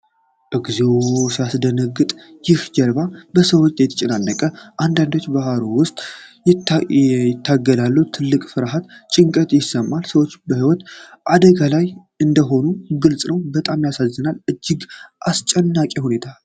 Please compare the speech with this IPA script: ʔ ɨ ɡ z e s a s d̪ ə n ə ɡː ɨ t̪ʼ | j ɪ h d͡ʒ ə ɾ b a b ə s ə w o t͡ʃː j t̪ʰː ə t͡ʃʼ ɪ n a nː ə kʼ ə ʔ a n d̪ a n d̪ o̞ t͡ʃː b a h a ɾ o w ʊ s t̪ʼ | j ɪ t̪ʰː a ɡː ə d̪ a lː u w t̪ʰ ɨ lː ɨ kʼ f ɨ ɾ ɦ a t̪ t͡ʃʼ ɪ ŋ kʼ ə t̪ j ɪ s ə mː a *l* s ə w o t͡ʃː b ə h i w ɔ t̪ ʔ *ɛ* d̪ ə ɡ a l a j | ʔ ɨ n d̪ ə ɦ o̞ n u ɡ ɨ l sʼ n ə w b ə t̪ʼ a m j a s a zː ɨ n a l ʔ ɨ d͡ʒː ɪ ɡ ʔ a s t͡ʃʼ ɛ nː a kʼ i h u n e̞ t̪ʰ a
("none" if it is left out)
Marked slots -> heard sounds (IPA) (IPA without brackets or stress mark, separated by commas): l, a